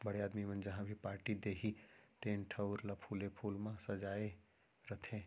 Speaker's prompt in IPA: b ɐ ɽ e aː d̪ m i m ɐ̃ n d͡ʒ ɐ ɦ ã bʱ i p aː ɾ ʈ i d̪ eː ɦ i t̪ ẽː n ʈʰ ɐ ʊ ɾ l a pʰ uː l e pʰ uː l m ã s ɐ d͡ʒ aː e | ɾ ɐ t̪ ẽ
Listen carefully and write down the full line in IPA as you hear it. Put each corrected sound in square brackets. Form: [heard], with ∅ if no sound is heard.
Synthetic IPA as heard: b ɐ ɽ e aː d̪ m i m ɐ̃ n d͡ʒ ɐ ɦ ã bʱ i p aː ɾ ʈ i d̪ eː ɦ i t̪ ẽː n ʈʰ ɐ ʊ ɾ l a pʰ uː l e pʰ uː l m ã s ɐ d͡ʒ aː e | ɾ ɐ [t̪ʰ] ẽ